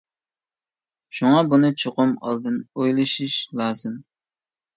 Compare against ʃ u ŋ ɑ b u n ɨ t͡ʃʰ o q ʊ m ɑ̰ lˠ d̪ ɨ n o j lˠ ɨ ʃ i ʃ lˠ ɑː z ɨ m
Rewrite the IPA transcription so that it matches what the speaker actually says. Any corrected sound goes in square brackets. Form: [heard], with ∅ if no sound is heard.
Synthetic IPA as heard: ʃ u ŋ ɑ b u n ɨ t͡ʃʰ o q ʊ m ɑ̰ lˠ d̪ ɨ n o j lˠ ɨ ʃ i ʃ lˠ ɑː z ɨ m